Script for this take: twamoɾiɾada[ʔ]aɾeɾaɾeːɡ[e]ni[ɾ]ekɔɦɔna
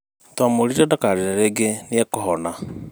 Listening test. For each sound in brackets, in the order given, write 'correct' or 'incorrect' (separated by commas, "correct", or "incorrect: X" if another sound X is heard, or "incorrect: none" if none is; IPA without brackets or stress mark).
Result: incorrect: k, correct, incorrect: none